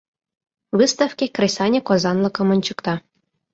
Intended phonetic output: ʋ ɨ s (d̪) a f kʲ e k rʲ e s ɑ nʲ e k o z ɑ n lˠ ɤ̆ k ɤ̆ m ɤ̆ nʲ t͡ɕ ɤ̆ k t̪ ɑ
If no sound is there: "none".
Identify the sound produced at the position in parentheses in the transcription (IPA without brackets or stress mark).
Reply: t̪